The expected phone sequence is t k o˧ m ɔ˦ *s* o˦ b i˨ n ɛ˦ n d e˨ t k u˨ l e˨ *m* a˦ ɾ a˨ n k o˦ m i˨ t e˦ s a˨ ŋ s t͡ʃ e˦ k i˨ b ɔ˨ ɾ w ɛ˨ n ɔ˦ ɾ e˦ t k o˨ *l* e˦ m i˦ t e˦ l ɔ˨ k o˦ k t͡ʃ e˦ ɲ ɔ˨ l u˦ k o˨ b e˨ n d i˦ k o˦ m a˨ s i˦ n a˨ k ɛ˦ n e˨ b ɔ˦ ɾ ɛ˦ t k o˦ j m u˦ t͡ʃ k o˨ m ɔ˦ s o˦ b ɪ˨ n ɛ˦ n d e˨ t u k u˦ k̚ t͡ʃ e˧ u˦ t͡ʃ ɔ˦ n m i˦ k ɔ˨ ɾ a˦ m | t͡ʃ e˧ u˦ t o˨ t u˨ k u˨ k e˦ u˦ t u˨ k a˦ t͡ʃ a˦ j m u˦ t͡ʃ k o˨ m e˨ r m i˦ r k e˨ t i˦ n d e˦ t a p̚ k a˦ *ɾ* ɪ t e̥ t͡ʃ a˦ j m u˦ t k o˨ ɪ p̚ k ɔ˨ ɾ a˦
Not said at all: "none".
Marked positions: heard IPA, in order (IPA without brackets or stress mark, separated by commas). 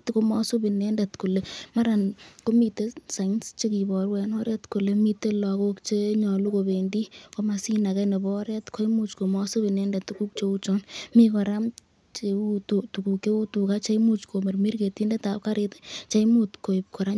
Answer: s, m, l, ɾ